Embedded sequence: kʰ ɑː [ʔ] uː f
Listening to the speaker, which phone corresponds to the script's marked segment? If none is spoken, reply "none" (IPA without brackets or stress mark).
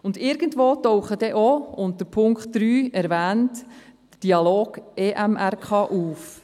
ʔ